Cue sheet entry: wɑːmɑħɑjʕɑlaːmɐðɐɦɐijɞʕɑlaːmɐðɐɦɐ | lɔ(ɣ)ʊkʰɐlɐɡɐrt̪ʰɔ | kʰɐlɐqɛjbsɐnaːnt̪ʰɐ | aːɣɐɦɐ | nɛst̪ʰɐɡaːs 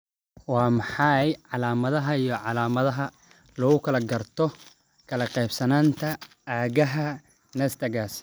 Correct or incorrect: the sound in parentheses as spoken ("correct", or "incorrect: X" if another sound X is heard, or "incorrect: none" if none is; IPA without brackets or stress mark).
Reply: correct